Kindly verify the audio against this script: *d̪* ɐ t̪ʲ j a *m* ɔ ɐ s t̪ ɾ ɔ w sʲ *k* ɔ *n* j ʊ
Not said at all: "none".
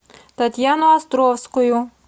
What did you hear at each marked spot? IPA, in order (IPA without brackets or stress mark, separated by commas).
t̪, n, k, none